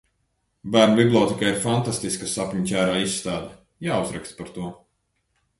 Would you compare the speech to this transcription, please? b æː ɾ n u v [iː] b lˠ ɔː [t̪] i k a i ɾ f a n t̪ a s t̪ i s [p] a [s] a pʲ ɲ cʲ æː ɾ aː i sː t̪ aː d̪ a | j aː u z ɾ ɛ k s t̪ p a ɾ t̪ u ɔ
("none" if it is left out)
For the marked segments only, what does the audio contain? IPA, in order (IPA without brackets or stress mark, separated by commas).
i, t̪, k, s